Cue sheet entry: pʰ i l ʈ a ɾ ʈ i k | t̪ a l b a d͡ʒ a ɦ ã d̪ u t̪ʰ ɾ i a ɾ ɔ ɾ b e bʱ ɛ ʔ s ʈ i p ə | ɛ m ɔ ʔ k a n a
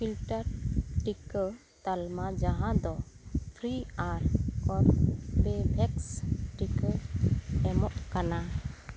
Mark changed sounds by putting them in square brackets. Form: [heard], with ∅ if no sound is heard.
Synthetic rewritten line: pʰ i l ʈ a ɾ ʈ i k | t̪ a l [m] a d͡ʒ a ɦ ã d̪ [ɔ] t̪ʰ ɾ i a ɾ ɔ ɾ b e bʱ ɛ [k] s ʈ i [k] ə | ɛ m ɔ ʔ k a n a